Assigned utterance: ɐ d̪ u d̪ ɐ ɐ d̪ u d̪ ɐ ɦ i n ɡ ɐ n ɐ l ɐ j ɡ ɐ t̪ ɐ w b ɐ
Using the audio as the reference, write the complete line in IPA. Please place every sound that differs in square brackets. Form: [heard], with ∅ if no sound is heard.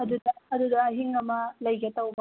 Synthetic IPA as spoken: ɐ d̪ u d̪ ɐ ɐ d̪ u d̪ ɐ ɦ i [ŋ] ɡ ɐ [m] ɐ l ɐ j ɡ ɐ t̪ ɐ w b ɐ

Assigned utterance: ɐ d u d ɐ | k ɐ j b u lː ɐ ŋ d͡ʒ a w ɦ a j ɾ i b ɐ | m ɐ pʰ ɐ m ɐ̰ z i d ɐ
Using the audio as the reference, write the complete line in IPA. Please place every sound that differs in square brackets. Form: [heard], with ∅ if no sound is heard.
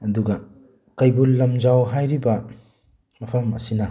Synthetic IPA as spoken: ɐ d u [ɡ] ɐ | k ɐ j b u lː ɐ [m] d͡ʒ a w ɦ a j ɾ i b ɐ | m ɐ pʰ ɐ m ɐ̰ [s] i [n] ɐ

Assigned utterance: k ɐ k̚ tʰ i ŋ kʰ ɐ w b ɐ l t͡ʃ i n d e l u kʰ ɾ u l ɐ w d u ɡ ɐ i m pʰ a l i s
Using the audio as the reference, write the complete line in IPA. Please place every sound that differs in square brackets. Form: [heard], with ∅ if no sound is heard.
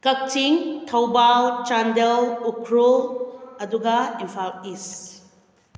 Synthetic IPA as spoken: k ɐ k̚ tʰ i ŋ [tʰ] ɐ w b [a] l t͡ʃ [a] n d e l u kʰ ɾ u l ɐ [∅] d u ɡ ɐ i m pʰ a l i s

